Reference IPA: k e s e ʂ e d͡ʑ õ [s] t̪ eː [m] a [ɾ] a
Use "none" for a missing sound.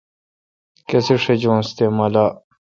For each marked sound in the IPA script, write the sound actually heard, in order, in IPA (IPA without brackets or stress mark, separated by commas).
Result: s, m, l